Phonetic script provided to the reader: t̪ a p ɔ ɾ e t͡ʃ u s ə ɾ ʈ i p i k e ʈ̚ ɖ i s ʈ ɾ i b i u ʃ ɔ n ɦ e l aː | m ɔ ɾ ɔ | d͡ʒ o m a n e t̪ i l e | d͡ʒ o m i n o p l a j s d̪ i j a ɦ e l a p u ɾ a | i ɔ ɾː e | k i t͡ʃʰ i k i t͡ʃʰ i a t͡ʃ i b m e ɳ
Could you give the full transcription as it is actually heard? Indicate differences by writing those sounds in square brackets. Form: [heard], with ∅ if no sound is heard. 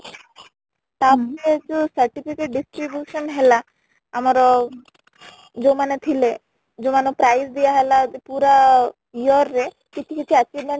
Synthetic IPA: t̪ a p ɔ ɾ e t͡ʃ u s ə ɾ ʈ i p i k e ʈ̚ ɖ i s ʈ ɾ i b [j] u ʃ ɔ n ɦ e l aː | m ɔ ɾ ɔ | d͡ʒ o m a n e [t̪ʰ] i l e | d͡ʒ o m [a] n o p [ɾ] a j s d̪ i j a ɦ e l a p u ɾ a | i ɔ ɾː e | k i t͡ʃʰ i k i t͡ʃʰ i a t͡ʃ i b m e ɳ